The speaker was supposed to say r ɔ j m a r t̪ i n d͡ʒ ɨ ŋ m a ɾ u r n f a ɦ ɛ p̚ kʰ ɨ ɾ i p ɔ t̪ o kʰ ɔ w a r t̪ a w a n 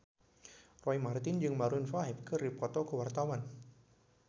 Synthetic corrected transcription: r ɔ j m a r t̪ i n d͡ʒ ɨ ŋ m a ɾ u n f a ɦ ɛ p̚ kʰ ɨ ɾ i p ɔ t̪ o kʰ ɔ w a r t̪ a w a n